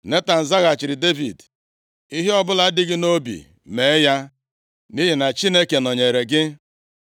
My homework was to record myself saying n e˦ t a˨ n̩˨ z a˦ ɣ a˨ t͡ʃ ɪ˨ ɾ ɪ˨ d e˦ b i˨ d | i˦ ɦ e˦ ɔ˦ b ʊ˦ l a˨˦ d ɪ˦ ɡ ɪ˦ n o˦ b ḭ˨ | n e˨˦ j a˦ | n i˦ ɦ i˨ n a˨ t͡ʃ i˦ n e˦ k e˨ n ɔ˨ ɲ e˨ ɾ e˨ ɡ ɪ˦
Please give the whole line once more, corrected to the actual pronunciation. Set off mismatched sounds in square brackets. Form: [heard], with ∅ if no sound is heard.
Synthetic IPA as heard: n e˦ t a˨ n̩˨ z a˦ ɣ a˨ t͡ʃ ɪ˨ ɾ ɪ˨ d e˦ [v] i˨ d | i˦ ɦ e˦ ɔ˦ b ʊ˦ l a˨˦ d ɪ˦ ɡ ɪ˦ n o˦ b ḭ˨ | [m] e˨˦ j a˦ | n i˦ ɦ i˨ n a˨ t͡ʃ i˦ n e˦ k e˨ n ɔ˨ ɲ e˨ ɾ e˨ ɡ ɪ˦